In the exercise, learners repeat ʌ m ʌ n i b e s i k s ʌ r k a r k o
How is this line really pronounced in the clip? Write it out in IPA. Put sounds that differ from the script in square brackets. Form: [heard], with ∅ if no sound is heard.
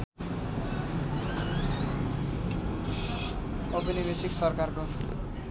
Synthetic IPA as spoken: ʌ [b] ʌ n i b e s i k s ʌ r k a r k o